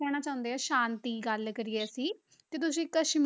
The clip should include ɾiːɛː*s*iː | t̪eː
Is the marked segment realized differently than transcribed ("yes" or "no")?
no